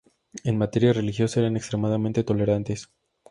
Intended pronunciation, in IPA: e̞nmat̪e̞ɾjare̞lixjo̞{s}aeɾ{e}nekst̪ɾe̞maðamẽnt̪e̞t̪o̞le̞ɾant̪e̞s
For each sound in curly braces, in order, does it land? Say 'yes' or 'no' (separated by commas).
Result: yes, no